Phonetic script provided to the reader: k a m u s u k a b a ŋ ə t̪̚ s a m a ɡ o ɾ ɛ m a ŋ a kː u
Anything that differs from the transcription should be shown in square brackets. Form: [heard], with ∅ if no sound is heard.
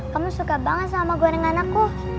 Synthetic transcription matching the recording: k a m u s u k a b a ŋ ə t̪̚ s a m a ɡ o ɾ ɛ [ŋ] a [n] a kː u

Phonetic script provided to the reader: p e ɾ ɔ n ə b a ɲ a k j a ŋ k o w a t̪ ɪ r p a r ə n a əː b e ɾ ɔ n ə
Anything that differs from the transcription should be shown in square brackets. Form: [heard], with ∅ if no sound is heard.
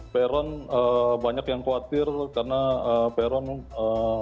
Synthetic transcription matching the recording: p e ɾ ɔ n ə b a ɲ a k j a ŋ k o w a t̪ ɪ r [k] a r ə n a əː [p] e ɾ ɔ n ə

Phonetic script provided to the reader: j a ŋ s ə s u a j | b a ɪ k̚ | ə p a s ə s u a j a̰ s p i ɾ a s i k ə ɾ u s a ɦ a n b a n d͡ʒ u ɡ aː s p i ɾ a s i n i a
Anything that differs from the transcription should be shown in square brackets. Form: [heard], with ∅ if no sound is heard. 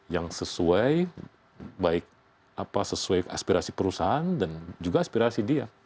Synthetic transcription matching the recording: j a ŋ s ə s u a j | b a ɪ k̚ | [a] p a s ə s u a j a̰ s p i ɾ a s i [p] ə ɾ u s a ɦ a n [d] a n d͡ʒ u ɡ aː s p i ɾ a s i [d] i a

